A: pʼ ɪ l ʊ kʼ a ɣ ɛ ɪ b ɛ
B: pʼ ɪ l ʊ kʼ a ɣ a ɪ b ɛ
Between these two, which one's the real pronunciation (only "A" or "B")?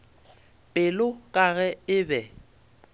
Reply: A